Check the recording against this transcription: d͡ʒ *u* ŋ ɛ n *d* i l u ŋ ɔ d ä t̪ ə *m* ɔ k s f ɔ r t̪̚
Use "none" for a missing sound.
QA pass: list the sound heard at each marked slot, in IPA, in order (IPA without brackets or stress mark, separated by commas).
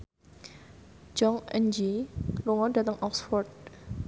ɔ, d͡ʒ, ŋ